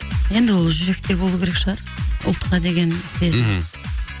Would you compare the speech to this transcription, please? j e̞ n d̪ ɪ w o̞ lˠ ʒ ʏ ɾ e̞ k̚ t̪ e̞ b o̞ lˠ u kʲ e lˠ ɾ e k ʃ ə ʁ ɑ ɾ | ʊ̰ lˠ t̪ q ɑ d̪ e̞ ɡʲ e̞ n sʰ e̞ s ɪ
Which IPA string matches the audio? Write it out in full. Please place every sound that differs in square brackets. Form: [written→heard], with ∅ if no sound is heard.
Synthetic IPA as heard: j e̞ n d̪ ɪ w o̞ lˠ ʒ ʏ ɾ e̞ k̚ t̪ e̞ b o̞ lˠ u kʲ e [lˠ→∅] ɾ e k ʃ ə ʁ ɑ ɾ | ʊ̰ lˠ t̪ q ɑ d̪ e̞ ɡʲ e̞ n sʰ e̞ [s→z] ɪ